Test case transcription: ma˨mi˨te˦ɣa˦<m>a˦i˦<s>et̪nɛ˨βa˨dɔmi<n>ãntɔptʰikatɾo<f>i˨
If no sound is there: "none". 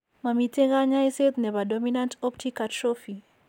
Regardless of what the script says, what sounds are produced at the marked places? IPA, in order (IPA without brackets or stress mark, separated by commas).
ɲ, s, n, f